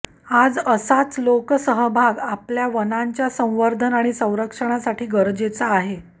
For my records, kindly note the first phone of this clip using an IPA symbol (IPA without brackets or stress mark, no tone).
a